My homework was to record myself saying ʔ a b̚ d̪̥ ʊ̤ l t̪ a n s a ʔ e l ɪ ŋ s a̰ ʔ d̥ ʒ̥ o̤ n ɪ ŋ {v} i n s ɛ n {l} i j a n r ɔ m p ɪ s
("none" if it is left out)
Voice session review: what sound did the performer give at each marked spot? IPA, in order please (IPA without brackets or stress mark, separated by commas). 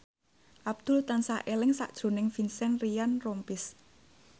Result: f, r